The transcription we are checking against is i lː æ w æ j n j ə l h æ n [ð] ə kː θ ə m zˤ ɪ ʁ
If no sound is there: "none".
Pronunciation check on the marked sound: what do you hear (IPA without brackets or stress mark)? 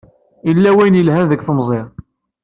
ð